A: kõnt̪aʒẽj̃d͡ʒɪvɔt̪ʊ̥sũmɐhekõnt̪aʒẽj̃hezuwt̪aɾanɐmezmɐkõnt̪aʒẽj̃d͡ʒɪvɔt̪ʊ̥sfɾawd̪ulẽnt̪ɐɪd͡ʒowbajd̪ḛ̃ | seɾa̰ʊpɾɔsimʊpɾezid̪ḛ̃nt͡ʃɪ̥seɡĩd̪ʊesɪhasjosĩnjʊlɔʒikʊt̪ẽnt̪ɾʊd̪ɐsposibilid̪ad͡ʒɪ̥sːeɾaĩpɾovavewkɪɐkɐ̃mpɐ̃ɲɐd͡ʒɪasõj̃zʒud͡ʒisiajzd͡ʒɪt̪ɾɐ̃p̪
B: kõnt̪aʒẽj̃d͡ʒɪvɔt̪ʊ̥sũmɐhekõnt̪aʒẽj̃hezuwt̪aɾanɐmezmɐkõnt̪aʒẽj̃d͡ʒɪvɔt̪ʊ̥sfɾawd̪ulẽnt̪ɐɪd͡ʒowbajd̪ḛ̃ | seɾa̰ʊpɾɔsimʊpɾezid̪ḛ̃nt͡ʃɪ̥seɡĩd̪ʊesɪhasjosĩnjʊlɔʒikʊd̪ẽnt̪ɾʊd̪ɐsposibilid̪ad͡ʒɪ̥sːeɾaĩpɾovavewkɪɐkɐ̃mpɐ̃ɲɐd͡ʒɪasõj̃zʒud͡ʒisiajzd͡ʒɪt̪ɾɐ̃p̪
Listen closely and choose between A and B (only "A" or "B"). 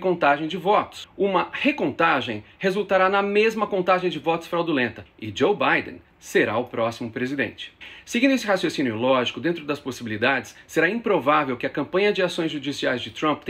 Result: B